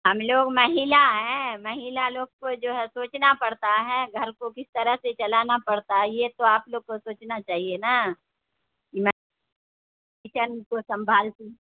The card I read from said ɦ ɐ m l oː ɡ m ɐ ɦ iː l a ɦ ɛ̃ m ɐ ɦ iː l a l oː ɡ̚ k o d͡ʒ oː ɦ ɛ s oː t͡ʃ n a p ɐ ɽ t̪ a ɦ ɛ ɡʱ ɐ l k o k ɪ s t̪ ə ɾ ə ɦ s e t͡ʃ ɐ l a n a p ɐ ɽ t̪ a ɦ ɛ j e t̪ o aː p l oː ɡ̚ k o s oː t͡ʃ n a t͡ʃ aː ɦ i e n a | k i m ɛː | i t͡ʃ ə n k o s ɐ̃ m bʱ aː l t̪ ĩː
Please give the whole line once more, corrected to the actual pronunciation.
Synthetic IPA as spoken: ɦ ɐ m l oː ɡ m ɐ ɦ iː l a ɦ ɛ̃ m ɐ ɦ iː l a l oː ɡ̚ k o d͡ʒ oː ɦ ɛ s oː t͡ʃ n a p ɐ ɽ t̪ a ɦ ɛ ɡʱ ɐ ɾ k o k ɪ s t̪ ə ɾ ə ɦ s e t͡ʃ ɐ l a n a p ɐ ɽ t̪ a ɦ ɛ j e t̪ o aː p l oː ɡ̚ k o s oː t͡ʃ n a t͡ʃ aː ɦ i e n a | k i m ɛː | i t͡ʃ ə n k o s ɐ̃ m bʱ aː l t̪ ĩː